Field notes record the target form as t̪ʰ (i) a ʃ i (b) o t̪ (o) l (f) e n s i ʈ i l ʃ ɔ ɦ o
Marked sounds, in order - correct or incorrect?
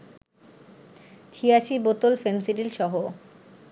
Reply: correct, correct, correct, correct

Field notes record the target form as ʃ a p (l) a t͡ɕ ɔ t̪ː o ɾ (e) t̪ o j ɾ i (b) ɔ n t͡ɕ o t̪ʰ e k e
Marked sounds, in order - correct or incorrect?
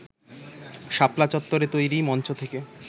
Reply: correct, correct, incorrect

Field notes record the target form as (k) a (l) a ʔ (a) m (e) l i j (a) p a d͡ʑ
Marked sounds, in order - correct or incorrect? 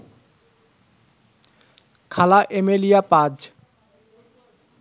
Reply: incorrect, correct, incorrect, correct, correct

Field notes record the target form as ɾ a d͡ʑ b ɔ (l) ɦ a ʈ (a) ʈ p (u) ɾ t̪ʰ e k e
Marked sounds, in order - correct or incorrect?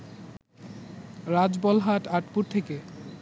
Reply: correct, correct, correct

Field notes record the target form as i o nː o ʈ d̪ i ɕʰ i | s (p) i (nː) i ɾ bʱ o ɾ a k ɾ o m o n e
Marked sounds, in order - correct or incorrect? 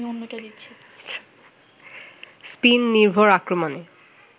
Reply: correct, correct

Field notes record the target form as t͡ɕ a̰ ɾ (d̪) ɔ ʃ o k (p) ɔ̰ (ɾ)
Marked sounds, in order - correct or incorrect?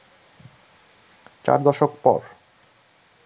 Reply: correct, correct, correct

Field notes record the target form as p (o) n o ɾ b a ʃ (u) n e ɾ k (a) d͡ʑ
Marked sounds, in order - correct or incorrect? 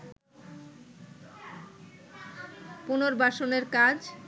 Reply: incorrect, incorrect, correct

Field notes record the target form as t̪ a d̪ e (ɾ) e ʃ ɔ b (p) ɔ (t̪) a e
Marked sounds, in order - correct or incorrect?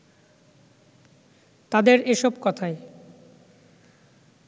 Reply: correct, incorrect, incorrect

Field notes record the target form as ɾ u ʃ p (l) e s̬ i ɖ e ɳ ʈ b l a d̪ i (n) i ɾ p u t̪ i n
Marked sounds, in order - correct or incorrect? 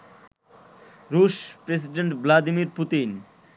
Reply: incorrect, incorrect

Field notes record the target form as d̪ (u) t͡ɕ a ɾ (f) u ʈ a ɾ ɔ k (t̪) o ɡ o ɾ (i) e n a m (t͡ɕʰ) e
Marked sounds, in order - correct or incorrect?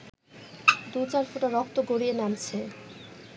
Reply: correct, correct, correct, correct, correct

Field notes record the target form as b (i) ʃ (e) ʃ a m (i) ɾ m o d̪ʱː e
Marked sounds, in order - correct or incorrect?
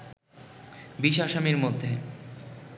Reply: correct, incorrect, correct

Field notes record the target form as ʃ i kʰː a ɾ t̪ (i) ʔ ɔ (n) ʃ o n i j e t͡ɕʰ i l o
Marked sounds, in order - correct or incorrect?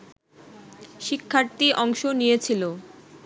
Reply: correct, incorrect

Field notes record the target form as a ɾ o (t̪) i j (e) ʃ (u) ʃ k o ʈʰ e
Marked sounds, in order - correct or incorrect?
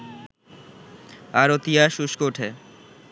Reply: correct, incorrect, correct

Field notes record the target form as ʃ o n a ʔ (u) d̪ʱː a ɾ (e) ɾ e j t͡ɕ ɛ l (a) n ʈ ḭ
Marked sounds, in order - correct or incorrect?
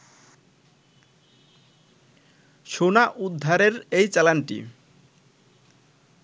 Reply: correct, correct, correct

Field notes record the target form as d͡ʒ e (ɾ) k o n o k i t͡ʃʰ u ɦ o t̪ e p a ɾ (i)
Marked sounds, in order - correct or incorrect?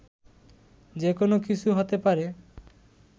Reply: incorrect, incorrect

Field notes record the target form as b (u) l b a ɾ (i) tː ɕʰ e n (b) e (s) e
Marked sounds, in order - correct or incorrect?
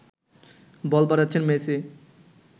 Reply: incorrect, incorrect, incorrect, correct

